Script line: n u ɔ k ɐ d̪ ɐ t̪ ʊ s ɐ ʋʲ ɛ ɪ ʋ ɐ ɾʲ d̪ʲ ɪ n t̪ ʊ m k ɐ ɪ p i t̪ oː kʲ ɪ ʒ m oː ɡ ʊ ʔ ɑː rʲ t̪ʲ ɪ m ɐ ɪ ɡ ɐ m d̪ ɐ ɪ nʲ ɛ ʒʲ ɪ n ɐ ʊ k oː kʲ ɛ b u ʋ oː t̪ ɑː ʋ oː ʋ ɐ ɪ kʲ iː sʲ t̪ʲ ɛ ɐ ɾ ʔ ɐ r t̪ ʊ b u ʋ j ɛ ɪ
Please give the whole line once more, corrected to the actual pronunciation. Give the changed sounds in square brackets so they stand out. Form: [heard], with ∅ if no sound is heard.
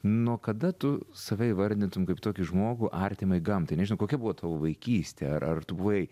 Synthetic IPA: n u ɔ k ɐ d̪ ɐ t̪ ʊ s ɐ ʋʲ ɛ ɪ ʋ ɐ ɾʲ d̪ʲ ɪ n t̪ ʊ m k ɐ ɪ p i t̪ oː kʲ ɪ ʒ m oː ɡ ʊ ʔ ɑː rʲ t̪ʲ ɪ m ɐ ɪ ɡ ɐ m [t̪] ɐ ɪ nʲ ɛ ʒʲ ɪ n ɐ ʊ k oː kʲ ɛ b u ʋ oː t̪ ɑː ʋ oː ʋ ɐ ɪ kʲ iː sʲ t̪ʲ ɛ ɐ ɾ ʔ ɐ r t̪ ʊ b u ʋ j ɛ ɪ